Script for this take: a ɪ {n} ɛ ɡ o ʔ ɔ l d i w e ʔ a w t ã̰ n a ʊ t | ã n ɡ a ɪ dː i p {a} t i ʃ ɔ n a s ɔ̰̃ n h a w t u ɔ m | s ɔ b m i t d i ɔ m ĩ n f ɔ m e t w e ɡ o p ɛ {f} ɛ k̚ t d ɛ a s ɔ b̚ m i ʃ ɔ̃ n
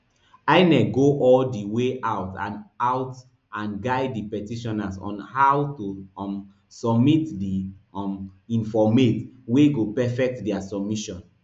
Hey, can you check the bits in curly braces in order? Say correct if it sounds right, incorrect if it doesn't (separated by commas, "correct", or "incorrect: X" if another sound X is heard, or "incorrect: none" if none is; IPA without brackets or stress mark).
correct, incorrect: ɛ, correct